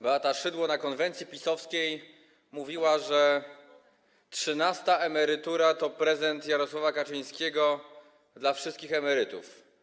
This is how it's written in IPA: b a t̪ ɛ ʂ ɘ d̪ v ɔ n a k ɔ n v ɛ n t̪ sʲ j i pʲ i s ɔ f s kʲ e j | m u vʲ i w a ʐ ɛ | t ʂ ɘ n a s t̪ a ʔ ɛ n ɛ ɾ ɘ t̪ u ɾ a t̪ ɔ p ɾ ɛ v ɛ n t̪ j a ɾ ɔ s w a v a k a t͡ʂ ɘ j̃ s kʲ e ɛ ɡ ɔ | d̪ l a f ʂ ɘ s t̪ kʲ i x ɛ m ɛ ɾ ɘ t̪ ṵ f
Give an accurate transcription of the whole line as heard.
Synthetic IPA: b a t̪ a ʂ ɘ d̪ w ɔ n a k ɔ n v ɛ n t̪ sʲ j i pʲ i s ɔ f s kʲ e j | m u vʲ i w a ʐ ɛ | t ʂ ɘ n a s t̪ a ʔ ɛ m ɛ ɾ ɘ t̪ u ɾ a t̪ ɔ p ɾ ɛ z ɛ n t̪ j a ɾ ɔ s w a v a k a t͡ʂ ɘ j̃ s kʲ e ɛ ɡ ɔ | d̪ l a f ʂ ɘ s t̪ kʲ i x ɛ m ɛ ɾ ɘ t̪ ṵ f

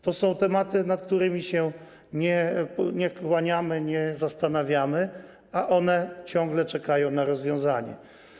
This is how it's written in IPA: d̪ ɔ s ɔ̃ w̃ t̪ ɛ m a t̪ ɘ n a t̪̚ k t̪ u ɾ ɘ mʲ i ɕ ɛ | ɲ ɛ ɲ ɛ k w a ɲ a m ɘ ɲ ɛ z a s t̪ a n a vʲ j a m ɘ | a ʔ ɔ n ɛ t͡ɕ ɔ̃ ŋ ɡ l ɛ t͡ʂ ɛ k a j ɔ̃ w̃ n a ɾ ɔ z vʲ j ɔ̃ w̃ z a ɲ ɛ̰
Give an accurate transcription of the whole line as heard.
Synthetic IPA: t̪ ɔ s ɔ̃ w̃ t̪ ɛ m a t̪ ɘ n a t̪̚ k t̪ u ɾ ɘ mʲ i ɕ ɛ | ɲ ɛ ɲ ɛ k w a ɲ a m ɘ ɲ ɛ z a s t̪ a n a vʲ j a m ɘ | a ʔ ɔ n ɛ t͡ɕ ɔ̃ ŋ ɡ l ɛ t͡ʂ ɛ k a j ɔ̃ w̃ n a ɾ ɔ z vʲ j ɔ̃ w̃ z a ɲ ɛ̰

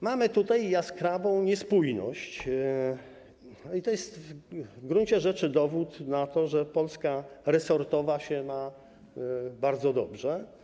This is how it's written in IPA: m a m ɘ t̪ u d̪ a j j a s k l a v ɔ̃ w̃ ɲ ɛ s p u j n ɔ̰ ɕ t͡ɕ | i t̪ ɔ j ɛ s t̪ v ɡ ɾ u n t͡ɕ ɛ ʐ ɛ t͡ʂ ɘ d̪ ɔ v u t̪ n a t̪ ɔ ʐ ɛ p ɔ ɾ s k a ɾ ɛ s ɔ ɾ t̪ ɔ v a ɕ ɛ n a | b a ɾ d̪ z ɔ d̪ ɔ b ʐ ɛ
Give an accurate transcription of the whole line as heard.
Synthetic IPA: m a m ɘ t̪ u t̪ a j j a s k ɾ a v ɔ̃ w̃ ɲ ɛ s p u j n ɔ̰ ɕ t͡ɕ | i t̪ ɔ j ɛ s t̪ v ɡ ɾ u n t͡ɕ ɛ ʐ ɛ t͡ʂ ɘ d̪ ɔ v u t̪ n a t̪ ɔ ʐ ɛ p ɔ l s k a ɾ ɛ s ɔ ɾ t̪ ɔ v a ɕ ɛ n a | b a ɾ d̪ z ɔ d̪ ɔ b ʐ ɛ

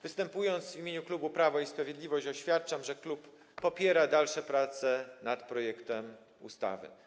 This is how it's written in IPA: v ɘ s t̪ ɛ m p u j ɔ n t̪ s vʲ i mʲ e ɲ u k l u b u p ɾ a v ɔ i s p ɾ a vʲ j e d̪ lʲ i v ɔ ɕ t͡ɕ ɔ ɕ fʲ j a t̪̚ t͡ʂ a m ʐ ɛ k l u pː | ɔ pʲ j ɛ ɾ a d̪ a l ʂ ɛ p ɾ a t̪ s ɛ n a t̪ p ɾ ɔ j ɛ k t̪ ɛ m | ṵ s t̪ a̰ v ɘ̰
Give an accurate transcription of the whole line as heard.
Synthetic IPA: v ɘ s t̪ ɛ m p u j ɔ n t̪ s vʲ i mʲ e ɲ u k l u b u p ɾ a v ɔ i s p ɾ a vʲ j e d̪ lʲ i v ɔ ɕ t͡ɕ ɔ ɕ fʲ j a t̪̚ t͡ʂ a m ʐ ɛ k l u pː | ɔ pʲ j ɛ ɾ a d̪ a l ʂ ɛ p ɾ a t̪ s ɛ n a t̪ p ɾ ɔ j ɛ k t̪ ɛ m | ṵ s t̪ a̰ v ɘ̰

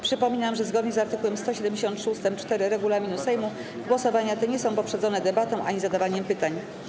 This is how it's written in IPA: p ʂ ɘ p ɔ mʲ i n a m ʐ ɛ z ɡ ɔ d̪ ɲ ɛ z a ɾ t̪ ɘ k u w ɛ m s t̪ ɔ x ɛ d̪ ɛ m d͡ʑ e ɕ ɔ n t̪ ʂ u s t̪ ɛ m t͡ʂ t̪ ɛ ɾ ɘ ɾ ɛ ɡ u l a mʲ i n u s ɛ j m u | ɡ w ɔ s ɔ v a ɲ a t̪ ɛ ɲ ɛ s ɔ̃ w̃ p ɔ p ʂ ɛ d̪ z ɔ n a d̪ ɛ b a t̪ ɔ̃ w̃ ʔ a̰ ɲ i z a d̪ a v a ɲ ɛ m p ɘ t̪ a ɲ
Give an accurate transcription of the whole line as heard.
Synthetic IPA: p ʂ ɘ p ɔ mʲ i n a m ʐ ɛ z ɡ ɔ d̪ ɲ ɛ z a ɾ t̪ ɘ k u w ɛ m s t̪ ɔ ɕ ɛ d̪ ɛ m d͡ʑ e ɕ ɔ n t̪ ʂ u s t̪ ɛ m t͡ʂ t̪ ɛ ɾ ɘ ɾ ɛ ɡ u l a mʲ i n u s ɛ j m u | ɡ w ɔ s ɔ v a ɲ a t̪ ɛ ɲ ɛ s ɔ̃ w̃ p ɔ p ʂ ɛ d̪ z ɔ n ɛ d̪ ɛ b a t̪ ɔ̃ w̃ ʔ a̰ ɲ i z a d̪ a v a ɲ ɛ m p ɘ t̪ a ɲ

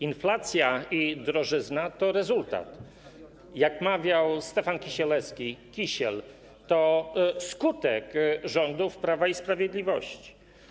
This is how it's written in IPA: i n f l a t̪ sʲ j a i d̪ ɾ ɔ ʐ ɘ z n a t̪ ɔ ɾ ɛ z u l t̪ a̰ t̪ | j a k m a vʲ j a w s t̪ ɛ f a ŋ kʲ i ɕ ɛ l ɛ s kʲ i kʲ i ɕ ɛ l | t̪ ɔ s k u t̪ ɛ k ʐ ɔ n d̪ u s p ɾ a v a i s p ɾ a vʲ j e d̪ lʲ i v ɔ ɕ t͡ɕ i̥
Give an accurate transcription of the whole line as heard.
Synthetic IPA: i n f l a t̪ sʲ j a i d̪ ɾ ɔ ʐ ɘ z n a t̪ ɔ ɾ ɛ z u l t̪ a̰ t̪ | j a k m a vʲ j a w s t̪ ɛ f a n kʲ i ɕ ɛ l ɛ s kʲ i kʲ i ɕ ɛ l | t̪ ɔ s k u t̪ ɛ k ʐ ɔ n d̪ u f p ɾ a v a i s p ɾ a vʲ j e d̪ lʲ i v ɔ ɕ t͡ɕ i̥

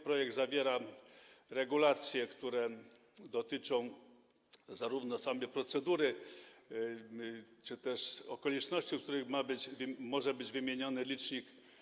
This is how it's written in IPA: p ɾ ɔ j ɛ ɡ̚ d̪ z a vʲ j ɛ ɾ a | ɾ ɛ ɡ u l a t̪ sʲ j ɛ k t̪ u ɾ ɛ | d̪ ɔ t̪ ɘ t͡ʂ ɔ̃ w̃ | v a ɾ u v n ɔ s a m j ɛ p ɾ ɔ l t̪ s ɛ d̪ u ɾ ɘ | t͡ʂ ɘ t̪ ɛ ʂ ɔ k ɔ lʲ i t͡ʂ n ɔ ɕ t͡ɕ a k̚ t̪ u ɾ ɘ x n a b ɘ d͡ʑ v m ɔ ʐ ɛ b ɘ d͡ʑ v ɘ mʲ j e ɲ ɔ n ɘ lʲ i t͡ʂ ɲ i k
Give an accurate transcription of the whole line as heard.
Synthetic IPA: p ɾ ɔ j ɛ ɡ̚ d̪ z a vʲ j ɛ ɾ a | ɾ ɛ ɡ u l a t̪ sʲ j ɛ k t̪ u ɾ ɛ | d̪ ɔ t̪ ɘ t͡ʂ ɔ̃ w̃ | z a ɾ u v n ɔ s a m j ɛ p ɾ ɔ t̪ s ɛ d̪ u ɾ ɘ | t͡ʂ ɘ t̪ ɛ ʂ ɔ k ɔ lʲ i t͡ʂ n ɔ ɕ t͡ɕ i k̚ t̪ u ɾ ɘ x m a b ɘ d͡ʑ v m ɔ ʐ ɛ b ɘ d͡ʑ v ɘ mʲ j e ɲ ɔ n ɘ lʲ i t͡ʂ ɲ i k

